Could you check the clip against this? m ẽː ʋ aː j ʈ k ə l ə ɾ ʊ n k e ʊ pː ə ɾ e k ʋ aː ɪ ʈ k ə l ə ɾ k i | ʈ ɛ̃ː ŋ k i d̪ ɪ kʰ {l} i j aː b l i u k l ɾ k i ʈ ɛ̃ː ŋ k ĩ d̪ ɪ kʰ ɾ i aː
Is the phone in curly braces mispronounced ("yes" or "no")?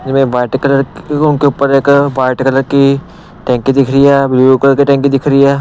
yes